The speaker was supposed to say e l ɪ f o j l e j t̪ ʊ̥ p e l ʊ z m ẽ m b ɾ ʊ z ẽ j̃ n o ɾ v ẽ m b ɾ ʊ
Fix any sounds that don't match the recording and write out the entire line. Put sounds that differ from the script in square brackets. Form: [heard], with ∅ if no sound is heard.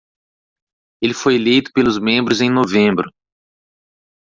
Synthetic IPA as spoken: e l ɪ f o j l e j t̪ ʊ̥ p e l ʊ z m ẽ m b ɾ ʊ z ẽ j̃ n o [∅] v ẽ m b ɾ ʊ